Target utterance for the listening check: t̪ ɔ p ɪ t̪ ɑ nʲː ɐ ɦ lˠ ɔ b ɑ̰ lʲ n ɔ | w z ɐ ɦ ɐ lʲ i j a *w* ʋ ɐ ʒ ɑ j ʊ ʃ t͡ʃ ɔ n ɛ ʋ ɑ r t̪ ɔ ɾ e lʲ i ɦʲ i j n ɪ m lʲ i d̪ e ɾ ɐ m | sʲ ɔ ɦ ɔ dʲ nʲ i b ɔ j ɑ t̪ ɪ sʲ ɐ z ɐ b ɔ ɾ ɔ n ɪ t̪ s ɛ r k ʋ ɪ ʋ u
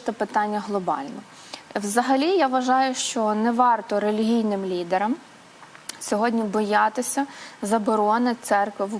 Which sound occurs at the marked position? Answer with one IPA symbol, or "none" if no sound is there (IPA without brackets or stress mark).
ʋ